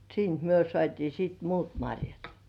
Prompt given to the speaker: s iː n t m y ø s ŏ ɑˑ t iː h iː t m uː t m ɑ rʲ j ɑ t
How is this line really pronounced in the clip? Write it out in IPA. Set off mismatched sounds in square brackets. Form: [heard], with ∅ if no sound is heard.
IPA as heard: s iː n t m y ø s ŏ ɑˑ t iː [s] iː t m uː t m ɑ rʲ j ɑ t